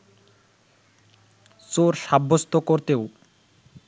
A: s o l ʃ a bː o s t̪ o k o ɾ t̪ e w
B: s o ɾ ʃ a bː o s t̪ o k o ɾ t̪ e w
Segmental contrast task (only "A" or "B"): B